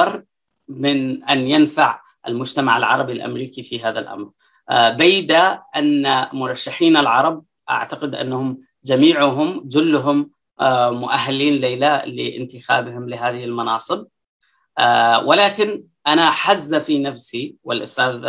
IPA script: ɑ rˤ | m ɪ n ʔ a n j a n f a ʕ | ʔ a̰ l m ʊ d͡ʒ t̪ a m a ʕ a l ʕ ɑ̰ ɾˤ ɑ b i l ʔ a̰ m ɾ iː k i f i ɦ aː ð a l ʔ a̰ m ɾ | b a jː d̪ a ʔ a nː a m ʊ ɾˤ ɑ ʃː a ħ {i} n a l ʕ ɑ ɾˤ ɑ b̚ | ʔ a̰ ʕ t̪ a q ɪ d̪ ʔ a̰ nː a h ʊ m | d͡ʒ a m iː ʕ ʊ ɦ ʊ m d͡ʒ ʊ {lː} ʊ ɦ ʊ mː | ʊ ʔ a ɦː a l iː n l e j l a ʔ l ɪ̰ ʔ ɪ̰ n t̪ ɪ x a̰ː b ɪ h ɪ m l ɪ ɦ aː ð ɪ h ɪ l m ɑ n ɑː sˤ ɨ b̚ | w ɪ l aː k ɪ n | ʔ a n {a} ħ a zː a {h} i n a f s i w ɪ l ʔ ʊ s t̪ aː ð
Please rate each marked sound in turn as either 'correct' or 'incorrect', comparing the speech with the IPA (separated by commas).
incorrect, correct, correct, incorrect